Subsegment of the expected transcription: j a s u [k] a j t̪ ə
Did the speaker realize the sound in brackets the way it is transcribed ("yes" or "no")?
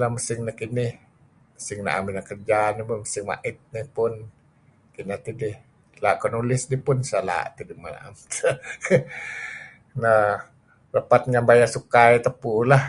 yes